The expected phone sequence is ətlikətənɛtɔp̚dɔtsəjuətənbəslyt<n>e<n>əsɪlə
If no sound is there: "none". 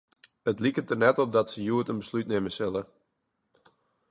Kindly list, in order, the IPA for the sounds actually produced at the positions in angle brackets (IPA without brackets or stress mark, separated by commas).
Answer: n, m